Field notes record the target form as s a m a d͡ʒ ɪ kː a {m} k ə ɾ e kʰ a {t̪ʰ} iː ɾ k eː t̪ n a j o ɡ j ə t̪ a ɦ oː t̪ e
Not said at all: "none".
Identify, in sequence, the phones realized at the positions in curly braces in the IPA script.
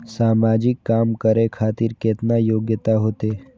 m, t̪

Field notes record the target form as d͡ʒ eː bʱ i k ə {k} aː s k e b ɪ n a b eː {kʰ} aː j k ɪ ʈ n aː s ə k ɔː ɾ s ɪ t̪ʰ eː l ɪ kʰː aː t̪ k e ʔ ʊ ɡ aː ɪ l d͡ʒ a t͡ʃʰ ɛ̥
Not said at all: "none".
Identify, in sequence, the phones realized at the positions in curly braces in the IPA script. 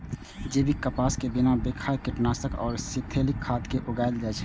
p, kʰ

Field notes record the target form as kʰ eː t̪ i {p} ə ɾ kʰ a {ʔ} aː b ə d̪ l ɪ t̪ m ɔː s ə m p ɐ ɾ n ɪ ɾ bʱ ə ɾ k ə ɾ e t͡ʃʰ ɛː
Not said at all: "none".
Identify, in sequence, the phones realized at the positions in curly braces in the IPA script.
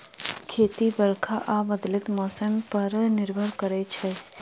b, ʔ

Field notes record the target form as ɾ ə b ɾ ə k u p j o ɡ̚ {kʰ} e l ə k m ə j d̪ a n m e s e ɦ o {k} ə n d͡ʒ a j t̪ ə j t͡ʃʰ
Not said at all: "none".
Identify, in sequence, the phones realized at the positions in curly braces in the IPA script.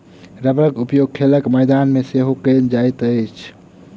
kʰ, k

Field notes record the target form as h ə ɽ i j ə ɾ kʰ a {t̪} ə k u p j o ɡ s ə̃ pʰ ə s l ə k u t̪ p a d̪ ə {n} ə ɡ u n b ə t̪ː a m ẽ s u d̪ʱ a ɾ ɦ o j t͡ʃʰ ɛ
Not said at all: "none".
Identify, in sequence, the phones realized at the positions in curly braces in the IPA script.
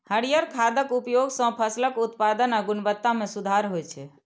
d̪, n

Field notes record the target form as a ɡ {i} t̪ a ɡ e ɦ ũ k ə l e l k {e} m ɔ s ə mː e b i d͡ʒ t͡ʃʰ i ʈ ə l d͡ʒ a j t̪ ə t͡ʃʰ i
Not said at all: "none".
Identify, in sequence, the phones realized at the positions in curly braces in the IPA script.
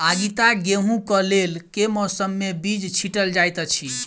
i, e

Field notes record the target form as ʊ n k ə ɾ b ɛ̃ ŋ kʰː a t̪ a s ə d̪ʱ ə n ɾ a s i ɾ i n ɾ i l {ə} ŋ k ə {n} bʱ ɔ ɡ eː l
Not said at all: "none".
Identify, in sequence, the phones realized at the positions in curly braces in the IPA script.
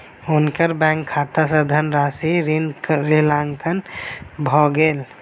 a, n

